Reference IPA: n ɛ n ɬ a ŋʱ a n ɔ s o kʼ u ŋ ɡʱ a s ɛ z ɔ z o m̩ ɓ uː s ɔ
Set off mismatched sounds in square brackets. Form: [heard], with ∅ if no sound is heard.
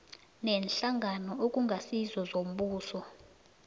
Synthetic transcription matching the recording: n ɛ n ɬ a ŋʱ a n ɔ [∅] o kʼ u ŋ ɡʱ a s [i] z ɔ z o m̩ ɓ uː s ɔ